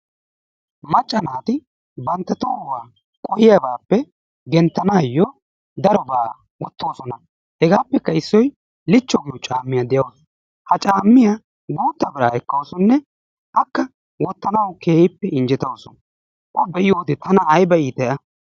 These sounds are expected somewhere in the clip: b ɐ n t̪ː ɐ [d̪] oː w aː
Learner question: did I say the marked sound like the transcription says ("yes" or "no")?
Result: no